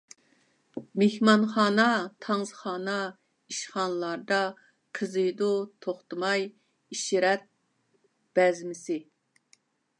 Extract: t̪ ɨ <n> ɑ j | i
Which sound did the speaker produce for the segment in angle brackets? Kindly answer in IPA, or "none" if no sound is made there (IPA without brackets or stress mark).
m